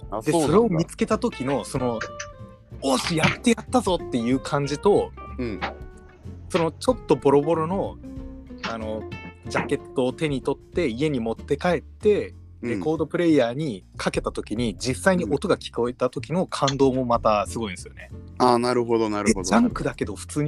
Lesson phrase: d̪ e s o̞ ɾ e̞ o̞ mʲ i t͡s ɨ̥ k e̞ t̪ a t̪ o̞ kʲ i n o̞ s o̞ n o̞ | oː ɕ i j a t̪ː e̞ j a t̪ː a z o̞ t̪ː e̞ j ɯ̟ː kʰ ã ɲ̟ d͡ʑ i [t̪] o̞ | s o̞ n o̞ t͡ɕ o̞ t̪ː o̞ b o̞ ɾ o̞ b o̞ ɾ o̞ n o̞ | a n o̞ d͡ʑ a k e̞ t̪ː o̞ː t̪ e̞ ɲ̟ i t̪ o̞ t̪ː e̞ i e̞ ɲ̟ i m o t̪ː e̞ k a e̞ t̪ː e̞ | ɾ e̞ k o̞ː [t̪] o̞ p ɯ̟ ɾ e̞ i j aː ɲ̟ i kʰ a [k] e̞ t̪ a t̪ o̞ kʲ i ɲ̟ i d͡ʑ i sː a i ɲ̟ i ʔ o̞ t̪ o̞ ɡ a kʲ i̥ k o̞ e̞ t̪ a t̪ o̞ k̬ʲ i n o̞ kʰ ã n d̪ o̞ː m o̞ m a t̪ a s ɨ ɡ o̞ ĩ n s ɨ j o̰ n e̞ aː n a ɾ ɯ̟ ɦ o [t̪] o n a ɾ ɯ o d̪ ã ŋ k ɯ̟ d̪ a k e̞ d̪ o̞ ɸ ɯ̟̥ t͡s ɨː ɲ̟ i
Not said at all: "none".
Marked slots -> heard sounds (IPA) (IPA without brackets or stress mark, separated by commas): t̪, d̪, k, d̪